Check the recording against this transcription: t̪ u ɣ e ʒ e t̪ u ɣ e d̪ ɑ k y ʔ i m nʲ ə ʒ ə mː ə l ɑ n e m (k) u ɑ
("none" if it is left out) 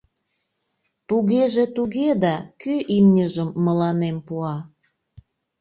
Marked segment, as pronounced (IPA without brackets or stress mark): p